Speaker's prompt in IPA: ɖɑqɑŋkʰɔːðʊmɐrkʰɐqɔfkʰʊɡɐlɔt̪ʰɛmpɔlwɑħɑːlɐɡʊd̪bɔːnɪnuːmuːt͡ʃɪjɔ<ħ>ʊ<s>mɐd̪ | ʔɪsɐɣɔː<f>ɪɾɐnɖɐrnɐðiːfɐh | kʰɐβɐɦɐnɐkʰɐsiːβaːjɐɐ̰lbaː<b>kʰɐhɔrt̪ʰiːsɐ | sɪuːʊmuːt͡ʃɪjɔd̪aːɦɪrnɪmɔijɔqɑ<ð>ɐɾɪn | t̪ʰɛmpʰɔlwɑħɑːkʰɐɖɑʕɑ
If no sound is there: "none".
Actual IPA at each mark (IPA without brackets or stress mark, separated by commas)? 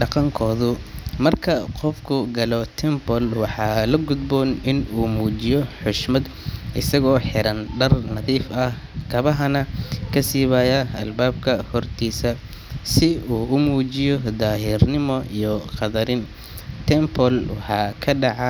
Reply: ħ, ʃ, ħ, b, ð